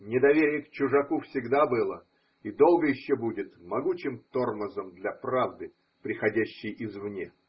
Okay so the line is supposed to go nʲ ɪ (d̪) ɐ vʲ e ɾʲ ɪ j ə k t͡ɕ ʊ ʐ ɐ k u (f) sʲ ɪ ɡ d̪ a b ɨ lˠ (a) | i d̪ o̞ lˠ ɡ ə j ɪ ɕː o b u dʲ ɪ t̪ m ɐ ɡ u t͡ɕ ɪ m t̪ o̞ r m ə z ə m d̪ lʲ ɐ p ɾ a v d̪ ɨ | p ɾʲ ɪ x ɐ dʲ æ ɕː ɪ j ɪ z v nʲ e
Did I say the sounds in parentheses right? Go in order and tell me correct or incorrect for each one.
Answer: correct, correct, incorrect

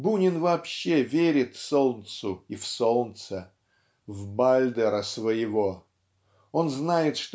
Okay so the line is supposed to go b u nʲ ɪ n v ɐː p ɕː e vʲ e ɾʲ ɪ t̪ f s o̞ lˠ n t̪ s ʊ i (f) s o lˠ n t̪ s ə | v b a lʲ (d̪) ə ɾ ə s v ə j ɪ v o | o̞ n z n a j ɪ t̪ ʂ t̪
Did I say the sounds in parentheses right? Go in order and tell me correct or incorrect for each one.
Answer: correct, correct

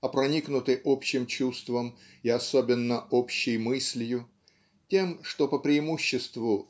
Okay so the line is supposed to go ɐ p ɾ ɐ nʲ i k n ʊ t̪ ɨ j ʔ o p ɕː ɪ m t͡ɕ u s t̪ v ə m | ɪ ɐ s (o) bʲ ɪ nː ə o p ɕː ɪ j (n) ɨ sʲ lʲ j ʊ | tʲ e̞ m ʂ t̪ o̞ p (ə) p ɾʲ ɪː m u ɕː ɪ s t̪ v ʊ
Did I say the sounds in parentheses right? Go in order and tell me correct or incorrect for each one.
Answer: correct, incorrect, correct

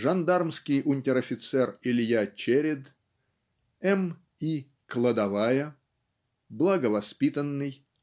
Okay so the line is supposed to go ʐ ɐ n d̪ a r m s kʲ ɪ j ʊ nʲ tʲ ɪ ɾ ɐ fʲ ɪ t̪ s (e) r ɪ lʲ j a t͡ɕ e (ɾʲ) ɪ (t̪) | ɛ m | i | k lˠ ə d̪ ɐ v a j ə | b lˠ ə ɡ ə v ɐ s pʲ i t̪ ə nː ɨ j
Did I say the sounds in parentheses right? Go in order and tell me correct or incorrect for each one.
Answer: incorrect, correct, incorrect

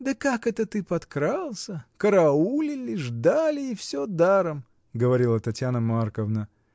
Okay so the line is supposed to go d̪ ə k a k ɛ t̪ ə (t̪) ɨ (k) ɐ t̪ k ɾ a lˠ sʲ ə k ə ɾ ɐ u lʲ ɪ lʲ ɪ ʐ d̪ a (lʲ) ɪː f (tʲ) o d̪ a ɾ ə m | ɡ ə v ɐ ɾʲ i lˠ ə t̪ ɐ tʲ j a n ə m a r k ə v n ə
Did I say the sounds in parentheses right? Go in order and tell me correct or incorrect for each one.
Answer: correct, incorrect, correct, incorrect

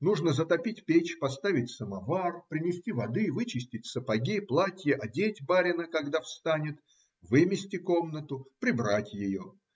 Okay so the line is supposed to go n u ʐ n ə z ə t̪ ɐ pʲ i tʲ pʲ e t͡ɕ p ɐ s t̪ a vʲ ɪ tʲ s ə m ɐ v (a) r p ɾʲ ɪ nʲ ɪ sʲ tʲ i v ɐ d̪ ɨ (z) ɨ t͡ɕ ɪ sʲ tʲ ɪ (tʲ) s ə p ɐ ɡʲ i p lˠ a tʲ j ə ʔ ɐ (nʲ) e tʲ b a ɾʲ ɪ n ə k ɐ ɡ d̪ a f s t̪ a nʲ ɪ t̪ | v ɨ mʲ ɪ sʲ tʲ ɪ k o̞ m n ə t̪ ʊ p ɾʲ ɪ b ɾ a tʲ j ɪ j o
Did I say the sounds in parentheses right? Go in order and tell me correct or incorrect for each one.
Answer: correct, incorrect, correct, incorrect

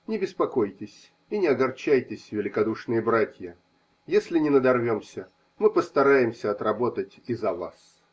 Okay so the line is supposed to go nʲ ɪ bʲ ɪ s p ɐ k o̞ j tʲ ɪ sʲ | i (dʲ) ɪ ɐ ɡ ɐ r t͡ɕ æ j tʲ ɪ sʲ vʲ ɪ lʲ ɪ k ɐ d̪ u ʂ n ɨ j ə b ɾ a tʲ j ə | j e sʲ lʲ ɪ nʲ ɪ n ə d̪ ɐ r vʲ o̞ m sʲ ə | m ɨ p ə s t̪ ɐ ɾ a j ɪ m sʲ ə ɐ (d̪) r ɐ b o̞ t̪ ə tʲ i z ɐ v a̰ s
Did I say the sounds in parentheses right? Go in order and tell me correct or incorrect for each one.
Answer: incorrect, incorrect

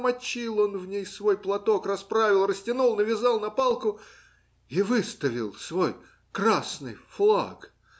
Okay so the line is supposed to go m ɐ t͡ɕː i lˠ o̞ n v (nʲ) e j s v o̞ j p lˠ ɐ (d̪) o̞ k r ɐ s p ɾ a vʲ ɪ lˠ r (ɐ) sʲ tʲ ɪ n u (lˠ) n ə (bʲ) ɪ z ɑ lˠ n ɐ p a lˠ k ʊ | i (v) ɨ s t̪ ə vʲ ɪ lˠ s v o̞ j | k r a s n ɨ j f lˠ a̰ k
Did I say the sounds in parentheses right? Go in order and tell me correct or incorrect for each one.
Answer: correct, incorrect, incorrect, correct, incorrect, correct

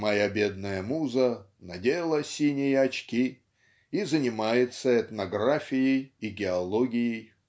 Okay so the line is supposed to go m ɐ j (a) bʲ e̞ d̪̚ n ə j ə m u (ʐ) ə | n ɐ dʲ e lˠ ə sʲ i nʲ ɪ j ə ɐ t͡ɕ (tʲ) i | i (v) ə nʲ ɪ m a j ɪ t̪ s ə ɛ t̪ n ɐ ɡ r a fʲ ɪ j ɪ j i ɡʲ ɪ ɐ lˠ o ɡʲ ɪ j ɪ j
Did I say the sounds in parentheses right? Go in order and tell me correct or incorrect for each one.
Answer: correct, incorrect, incorrect, incorrect

